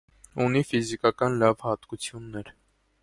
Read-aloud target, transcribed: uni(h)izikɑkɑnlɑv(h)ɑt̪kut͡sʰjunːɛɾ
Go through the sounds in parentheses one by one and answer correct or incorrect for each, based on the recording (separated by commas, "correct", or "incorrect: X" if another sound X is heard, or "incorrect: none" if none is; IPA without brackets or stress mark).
incorrect: f, correct